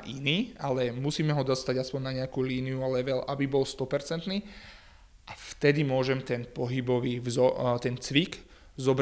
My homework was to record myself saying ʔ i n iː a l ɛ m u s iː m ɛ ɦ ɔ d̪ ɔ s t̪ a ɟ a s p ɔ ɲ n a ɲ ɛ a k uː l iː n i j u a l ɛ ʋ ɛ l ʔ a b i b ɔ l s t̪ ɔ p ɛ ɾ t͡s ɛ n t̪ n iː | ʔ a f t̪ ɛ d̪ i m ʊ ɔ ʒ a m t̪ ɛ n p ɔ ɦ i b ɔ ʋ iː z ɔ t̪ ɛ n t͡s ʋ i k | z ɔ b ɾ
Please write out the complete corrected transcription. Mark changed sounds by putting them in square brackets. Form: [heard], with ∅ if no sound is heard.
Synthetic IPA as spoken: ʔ i n iː a l ɛ m u s iː m ɛ ɦ ɔ d̪ ɔ s t̪ a ɟ a s p ɔ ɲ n a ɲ ɛ a k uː l iː n i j u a l ɛ ʋ ɛ l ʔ a b i b ɔ l s t̪ ɔ p ɛ ɾ t͡s ɛ n t̪ n iː | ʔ a f t̪ ɛ d̪ i m ʊ ɔ ʒ [ɛ] m t̪ ɛ n p ɔ ɦ i b ɔ ʋ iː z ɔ t̪ ɛ n t͡s ʋ i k | z ɔ b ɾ